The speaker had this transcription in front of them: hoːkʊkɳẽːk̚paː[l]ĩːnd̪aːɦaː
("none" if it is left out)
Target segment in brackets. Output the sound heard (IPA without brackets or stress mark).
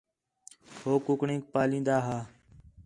l